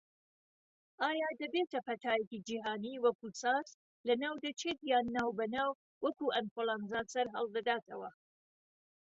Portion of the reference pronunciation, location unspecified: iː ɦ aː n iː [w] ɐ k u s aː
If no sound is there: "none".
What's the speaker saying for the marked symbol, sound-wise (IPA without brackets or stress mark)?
w